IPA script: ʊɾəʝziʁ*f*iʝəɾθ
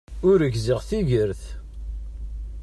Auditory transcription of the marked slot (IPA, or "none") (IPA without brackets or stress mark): θ